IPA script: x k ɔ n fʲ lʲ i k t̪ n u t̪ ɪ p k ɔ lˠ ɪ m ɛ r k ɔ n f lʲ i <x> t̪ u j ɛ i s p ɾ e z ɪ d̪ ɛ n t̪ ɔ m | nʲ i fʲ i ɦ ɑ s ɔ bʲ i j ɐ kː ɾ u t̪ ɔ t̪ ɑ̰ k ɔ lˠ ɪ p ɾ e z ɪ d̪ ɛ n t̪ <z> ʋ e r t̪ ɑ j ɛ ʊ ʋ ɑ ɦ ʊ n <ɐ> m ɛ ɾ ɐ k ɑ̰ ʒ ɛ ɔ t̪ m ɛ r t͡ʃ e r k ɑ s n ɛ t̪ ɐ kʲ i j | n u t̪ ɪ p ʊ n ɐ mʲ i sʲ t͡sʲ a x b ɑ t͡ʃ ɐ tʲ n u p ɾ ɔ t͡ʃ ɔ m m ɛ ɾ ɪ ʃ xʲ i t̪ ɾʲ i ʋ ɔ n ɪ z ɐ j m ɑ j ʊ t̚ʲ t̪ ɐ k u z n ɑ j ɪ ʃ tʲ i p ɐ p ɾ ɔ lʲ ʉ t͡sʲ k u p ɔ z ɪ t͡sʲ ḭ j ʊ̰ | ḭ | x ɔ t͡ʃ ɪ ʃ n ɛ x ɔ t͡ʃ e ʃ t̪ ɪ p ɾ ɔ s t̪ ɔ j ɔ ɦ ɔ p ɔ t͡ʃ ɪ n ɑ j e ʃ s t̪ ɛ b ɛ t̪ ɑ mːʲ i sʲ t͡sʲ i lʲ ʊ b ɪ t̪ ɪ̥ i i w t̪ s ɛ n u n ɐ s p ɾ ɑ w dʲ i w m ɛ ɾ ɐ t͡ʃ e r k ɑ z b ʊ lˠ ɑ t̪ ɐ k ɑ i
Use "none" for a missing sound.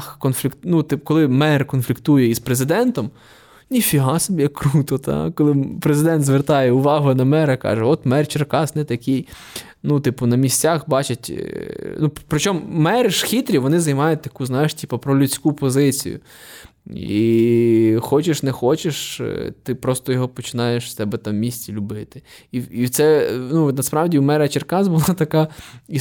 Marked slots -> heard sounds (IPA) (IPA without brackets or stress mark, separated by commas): k, z, ɐ